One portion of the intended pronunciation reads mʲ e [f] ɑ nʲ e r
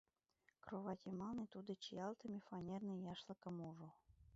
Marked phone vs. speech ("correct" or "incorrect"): correct